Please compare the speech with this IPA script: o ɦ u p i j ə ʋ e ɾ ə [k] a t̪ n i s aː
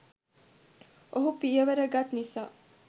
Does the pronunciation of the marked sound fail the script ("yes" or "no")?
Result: yes